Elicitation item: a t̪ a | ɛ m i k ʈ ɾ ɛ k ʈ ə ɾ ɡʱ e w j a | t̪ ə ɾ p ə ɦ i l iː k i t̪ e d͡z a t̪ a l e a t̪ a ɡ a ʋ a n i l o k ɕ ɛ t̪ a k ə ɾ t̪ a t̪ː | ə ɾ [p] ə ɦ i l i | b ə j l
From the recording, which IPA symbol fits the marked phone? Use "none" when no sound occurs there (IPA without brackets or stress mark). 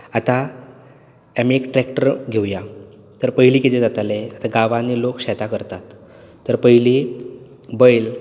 p